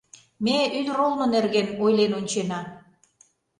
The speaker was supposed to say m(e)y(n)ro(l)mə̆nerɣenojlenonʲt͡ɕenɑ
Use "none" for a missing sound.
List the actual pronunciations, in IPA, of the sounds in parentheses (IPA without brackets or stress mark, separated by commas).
e, n, l